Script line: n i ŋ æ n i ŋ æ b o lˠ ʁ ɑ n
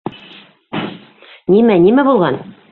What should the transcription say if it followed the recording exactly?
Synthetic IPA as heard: n i m æ n i m æ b u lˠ ʁ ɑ n